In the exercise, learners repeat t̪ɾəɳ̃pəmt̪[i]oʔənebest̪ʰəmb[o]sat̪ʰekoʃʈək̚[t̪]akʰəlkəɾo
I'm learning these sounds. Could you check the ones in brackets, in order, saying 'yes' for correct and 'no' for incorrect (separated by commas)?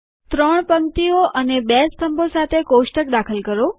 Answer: yes, yes, no